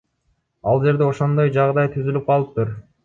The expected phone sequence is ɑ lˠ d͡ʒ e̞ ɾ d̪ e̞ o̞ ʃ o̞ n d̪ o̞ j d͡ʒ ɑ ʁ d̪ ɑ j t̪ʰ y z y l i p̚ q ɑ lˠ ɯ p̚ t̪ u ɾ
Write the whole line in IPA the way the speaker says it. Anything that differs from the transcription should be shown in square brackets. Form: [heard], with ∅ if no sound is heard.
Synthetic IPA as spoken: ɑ lˠ d͡ʒ e̞ ɾ d̪ e̞ o̞ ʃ o̞ n d̪ o̞ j d͡ʒ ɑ ʁ d̪ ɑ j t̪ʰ y z y l [y] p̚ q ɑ lˠ ɯ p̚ t̪ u ɾ